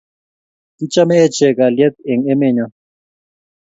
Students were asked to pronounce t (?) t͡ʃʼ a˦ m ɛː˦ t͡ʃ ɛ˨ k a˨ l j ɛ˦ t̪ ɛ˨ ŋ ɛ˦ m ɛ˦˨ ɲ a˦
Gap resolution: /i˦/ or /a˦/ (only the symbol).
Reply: i˦